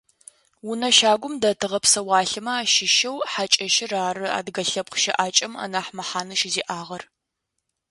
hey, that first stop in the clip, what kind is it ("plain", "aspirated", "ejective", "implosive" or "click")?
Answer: plain